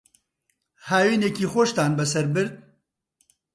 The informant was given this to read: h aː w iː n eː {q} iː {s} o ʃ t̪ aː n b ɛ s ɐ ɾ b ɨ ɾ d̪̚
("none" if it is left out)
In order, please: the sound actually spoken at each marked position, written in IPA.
k, x

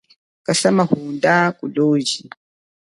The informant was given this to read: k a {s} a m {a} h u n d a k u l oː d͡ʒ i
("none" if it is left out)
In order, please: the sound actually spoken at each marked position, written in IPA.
s, a

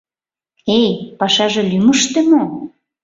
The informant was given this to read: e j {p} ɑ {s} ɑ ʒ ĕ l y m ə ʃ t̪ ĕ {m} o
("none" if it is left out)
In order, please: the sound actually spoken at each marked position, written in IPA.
p, ʃ, m

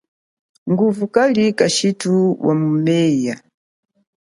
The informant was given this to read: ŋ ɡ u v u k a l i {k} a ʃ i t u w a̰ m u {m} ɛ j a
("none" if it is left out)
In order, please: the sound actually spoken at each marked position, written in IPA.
k, m

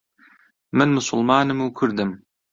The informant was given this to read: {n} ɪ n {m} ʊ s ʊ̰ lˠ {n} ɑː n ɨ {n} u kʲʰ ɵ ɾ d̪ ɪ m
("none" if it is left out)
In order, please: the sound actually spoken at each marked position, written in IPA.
m, m, m, m

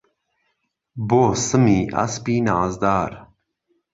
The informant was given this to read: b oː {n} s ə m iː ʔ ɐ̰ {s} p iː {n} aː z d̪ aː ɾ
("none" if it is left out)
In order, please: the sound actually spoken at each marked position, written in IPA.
none, s, n

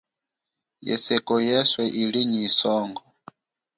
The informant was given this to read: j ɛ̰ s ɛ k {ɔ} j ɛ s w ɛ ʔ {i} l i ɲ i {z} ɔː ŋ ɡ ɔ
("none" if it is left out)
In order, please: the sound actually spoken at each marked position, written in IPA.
ɔ, i, s

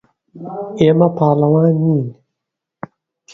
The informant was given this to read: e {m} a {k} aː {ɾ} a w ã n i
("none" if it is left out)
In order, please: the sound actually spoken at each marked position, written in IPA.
m, p, l

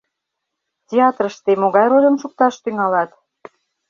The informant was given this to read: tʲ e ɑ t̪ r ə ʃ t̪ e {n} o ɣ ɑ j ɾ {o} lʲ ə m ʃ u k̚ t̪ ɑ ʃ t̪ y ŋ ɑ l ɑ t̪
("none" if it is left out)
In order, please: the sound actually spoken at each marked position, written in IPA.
m, o

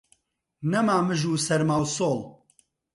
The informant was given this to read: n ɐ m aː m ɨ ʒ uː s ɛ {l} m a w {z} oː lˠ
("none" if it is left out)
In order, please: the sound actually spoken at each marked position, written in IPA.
ɾ, s

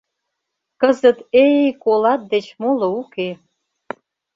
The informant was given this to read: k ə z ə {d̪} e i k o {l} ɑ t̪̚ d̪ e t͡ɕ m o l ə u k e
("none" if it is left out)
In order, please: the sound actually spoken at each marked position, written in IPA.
t̪, l

